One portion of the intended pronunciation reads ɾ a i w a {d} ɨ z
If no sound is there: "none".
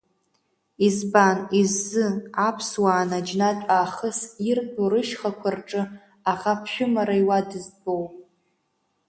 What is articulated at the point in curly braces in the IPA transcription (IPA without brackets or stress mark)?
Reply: d